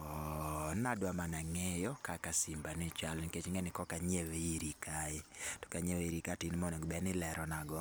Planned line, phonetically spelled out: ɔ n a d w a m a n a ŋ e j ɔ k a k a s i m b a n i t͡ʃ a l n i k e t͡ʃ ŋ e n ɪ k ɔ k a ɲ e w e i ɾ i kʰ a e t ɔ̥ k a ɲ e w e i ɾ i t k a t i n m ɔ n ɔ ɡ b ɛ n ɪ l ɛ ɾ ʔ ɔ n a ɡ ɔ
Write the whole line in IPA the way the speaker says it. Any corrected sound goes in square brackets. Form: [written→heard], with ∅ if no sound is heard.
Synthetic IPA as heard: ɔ n a d w a m a n a ŋ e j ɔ k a k a s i m b a n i t͡ʃ a l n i k e t͡ʃ ŋ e n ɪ k ɔ k a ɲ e w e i ɾ i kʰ a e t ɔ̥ k a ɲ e w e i ɾ i [t→∅] k a t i n m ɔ n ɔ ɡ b ɛ n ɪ l ɛ ɾ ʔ ɔ n a ɡ ɔ